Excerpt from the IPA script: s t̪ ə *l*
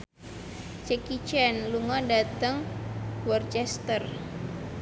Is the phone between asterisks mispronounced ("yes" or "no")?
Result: yes